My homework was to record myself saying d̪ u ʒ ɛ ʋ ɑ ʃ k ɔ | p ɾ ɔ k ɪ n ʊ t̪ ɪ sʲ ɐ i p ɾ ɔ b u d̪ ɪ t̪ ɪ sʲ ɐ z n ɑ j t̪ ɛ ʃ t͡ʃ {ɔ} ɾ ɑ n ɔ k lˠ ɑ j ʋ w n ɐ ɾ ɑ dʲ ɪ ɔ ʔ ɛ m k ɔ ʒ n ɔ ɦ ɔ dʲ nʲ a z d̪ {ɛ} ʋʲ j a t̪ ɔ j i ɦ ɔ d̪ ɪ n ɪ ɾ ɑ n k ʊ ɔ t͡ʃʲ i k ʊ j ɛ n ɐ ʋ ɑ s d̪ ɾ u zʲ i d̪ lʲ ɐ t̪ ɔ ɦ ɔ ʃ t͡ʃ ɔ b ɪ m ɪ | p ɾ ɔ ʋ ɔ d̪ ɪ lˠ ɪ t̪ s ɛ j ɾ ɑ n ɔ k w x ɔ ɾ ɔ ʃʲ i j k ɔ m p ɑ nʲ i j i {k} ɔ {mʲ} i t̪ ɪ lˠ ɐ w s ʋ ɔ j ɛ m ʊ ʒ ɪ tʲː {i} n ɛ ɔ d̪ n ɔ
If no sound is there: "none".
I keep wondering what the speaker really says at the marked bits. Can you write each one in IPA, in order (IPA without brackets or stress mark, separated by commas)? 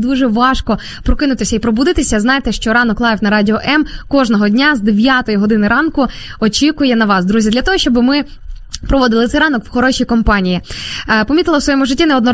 ɔ, e, p, mʲ, i